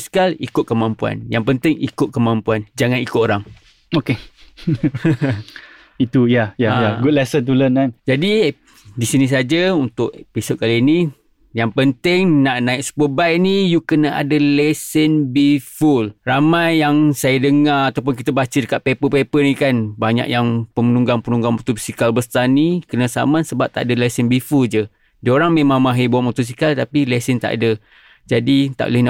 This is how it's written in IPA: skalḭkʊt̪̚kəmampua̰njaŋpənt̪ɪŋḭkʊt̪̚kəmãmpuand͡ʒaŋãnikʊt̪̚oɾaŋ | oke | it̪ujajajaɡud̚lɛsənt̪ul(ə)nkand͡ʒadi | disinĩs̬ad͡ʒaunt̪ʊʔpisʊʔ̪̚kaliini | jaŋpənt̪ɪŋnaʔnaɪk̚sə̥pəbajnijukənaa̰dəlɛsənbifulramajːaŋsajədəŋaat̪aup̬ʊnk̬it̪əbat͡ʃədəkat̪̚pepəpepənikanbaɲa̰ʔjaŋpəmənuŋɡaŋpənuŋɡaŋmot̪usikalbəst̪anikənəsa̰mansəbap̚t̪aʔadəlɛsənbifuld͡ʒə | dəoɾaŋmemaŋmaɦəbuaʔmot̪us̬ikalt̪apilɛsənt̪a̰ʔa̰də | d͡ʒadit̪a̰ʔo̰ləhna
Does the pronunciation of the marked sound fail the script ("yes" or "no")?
no